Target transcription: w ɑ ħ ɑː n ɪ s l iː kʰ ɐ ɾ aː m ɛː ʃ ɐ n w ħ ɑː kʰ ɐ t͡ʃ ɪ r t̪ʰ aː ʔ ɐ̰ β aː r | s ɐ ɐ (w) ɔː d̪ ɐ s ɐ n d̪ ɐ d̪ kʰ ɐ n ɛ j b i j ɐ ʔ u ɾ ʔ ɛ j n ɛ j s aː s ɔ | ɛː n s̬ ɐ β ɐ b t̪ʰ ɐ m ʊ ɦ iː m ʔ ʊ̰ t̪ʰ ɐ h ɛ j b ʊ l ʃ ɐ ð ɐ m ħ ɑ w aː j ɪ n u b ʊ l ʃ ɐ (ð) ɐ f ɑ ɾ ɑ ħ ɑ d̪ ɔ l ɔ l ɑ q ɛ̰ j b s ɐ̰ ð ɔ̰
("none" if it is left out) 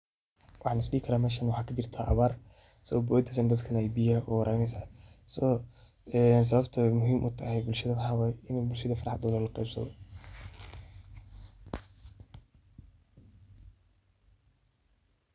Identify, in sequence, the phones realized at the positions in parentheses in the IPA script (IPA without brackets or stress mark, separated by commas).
b, ð